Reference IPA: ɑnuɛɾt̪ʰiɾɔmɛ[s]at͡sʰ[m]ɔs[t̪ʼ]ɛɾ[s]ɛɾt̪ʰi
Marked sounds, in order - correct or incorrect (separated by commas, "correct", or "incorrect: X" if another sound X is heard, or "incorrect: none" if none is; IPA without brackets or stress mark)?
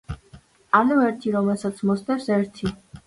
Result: correct, correct, incorrect: t̪, correct